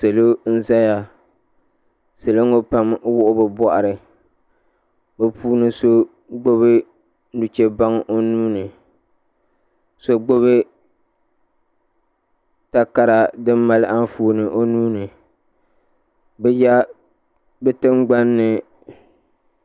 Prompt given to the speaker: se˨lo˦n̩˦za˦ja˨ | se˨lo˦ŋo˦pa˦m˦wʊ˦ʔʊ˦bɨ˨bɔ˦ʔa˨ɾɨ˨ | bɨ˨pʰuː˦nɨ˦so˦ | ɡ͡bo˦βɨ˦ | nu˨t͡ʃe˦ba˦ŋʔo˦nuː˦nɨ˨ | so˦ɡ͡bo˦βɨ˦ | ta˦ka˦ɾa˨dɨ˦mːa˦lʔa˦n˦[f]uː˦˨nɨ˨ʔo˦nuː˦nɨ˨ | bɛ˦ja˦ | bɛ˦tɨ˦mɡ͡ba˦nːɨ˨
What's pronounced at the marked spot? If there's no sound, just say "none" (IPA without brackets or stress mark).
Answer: f